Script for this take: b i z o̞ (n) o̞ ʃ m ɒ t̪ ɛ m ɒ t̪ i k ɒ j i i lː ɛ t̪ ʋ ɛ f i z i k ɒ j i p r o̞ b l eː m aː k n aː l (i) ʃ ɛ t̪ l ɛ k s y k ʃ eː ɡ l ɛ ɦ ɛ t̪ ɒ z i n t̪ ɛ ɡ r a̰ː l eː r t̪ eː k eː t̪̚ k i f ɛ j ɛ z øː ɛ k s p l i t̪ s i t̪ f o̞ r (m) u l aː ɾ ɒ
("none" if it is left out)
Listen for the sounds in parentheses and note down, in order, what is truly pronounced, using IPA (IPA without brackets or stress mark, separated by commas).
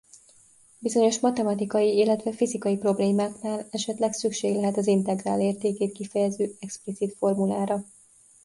ɲ, ɛ, m